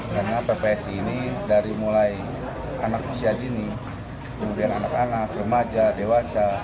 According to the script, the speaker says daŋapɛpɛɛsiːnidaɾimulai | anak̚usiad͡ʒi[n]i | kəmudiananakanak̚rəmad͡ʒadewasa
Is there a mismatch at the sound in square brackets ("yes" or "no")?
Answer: no